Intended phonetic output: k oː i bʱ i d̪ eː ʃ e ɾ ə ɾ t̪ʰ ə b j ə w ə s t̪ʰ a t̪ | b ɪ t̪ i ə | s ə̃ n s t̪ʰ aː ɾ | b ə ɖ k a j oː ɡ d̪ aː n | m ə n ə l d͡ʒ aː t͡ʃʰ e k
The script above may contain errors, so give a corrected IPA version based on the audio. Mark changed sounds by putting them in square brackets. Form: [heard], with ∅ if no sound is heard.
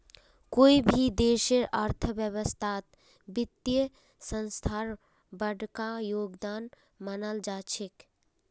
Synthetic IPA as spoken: k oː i bʱ i d̪ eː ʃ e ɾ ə ɾ t̪ʰ ə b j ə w ə s t̪ʰ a t̪ | b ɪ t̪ [j] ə | s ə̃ n s t̪ʰ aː ɾ | b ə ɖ k a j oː ɡ d̪ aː n | m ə n ə l d͡ʒ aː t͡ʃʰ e k